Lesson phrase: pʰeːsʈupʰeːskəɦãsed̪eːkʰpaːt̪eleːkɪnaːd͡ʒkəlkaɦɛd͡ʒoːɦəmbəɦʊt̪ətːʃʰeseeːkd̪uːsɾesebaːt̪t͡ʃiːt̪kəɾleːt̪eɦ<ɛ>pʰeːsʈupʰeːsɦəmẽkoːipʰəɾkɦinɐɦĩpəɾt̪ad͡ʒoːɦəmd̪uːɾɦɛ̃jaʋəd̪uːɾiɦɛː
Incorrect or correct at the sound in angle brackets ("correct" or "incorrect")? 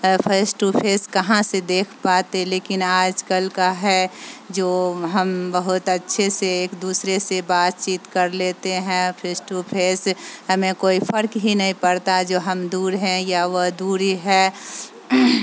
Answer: incorrect